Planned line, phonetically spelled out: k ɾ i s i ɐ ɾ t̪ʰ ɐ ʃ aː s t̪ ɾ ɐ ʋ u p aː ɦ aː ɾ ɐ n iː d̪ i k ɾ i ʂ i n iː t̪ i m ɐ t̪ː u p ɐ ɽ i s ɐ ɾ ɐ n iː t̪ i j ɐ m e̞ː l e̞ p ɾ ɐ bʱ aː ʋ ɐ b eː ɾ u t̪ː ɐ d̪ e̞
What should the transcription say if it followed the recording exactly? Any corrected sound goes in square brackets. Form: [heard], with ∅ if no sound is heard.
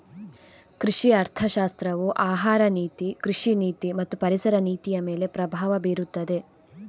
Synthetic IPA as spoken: k ɾ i [ʂ] i ɐ ɾ t̪ʰ ɐ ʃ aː s t̪ ɾ ɐ ʋ u [ʔ] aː ɦ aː ɾ ɐ n iː [t̪] i k ɾ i ʂ i n iː t̪ i m ɐ t̪ː u p ɐ [ɾ] i s ɐ ɾ ɐ n iː t̪ i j ɐ m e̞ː l e̞ p ɾ ɐ bʱ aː ʋ ɐ b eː ɾ u t̪ː ɐ d̪ e̞